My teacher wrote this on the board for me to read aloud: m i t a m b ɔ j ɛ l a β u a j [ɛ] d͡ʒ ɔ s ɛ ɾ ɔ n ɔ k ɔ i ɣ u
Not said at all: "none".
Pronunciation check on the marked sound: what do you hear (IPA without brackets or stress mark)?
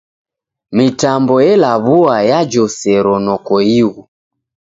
a